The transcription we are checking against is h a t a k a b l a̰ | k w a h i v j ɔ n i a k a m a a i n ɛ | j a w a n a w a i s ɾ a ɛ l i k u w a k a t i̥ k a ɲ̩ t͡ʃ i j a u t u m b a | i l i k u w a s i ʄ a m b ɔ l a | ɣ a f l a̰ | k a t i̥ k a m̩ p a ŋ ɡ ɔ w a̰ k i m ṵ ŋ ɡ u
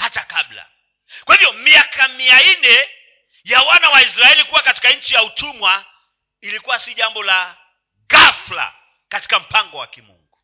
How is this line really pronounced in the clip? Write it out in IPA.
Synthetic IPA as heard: h a t a k a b l a̰ | k w a h i v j ɔ m i a k a m i a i n ɛ | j a w a n a w a i s ɾ a ɛ l i k u w a k a t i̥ k a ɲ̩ t͡ʃ i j a u t u m w a | i l i k u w a s i ʄ a m b ɔ l a | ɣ a f l a̰ | k a t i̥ k a m̩ p a ŋ ɡ ɔ w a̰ k i m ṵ ŋ ɡ u